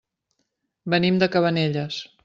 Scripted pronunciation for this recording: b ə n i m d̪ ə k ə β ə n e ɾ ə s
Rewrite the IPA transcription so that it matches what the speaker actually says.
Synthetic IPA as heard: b ə n i m d̪ ə k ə β ə n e ʎ ə s